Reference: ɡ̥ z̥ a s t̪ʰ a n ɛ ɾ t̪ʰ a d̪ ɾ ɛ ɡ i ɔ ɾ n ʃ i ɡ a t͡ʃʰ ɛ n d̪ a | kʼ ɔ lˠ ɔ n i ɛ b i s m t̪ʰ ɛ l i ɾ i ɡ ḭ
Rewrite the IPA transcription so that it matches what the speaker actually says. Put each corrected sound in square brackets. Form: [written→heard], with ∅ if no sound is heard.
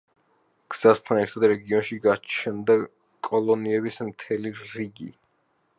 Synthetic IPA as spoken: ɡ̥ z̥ a s t̪ʰ a n ɛ ɾ t̪ʰ a d̪ ɾ ɛ ɡ i ɔ [ɾ→∅] n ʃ i ɡ a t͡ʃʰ ɛ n d̪ a | kʼ ɔ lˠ ɔ n i ɛ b i s m t̪ʰ ɛ l i ɾ i ɡ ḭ